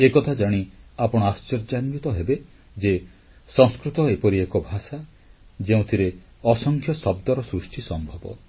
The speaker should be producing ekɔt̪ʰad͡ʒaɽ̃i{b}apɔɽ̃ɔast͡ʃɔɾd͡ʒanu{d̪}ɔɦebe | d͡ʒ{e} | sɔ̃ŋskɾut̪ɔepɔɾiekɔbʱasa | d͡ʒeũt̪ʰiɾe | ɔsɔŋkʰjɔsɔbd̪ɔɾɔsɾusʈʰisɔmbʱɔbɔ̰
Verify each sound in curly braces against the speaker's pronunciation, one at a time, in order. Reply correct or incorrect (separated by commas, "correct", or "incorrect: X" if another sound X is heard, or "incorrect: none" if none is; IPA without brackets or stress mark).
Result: incorrect: none, incorrect: t̪, correct